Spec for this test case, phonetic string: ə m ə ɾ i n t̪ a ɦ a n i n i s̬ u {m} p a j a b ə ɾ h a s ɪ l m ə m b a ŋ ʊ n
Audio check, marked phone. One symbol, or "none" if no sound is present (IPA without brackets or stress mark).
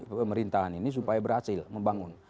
none